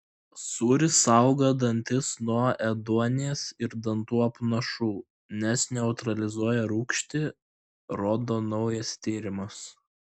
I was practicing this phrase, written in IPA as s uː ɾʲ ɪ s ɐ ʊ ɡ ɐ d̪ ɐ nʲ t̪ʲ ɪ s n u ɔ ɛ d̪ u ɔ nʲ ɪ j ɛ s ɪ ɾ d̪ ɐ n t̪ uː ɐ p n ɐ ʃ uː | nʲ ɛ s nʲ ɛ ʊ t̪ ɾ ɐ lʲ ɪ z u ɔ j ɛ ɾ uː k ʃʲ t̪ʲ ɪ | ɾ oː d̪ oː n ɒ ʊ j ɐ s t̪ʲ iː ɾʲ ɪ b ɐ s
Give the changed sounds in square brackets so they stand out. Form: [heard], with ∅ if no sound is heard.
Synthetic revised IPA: s uː ɾʲ ɪ s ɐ ʊ ɡ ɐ d̪ ɐ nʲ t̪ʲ ɪ s n u ɔ ɛ d̪ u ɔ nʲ ɪ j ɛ s ɪ ɾ d̪ ɐ n t̪ uː ɐ p n ɐ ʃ uː | nʲ ɛ s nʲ ɛ ʊ t̪ ɾ ɐ lʲ ɪ z u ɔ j ɛ ɾ uː k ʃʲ t̪ʲ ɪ | ɾ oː d̪ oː n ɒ ʊ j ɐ s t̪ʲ iː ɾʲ ɪ [m] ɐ s